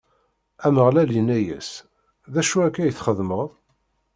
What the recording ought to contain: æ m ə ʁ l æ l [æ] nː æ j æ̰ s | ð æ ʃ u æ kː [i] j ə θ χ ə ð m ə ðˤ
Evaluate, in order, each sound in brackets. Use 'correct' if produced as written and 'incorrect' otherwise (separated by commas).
incorrect, incorrect